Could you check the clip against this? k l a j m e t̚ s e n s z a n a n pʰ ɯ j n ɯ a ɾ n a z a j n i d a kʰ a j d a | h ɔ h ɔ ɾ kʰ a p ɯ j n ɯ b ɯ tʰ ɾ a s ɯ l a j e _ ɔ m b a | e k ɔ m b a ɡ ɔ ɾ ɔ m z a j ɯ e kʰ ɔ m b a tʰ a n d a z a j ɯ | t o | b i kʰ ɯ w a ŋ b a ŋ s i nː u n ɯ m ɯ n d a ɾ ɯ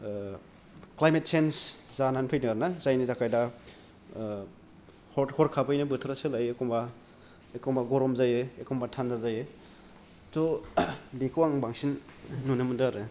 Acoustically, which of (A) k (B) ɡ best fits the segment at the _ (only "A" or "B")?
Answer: A